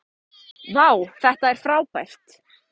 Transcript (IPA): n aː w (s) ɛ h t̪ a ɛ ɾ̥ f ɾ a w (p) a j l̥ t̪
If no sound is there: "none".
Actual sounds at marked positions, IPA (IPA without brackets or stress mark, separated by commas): θ, p